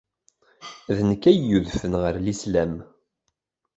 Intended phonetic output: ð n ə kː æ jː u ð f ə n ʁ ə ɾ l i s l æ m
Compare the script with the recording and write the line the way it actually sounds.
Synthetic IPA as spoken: ð n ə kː æ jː u ð f ə n ʁ ə ɾ l i s l æ m